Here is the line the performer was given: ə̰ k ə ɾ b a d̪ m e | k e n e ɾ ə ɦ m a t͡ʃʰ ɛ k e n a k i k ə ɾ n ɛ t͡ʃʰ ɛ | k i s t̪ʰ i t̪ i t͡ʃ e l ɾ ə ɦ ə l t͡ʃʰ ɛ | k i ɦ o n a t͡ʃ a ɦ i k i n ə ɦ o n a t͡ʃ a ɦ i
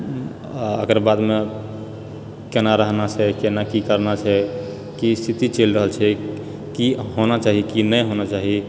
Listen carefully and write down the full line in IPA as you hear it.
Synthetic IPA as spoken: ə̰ k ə ɾ b a d̪ m e | k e n a ɾ ə ɦ n a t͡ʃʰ ɛ k e n a k i k ə ɾ n a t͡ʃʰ ɛ | k i s t̪ʰ i t̪ i t͡ʃ e l ɾ ə ɦ ə l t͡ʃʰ ɛ | k i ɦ o n a t͡ʃ a ɦ i k i n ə ɦ o n a t͡ʃ a ɦ i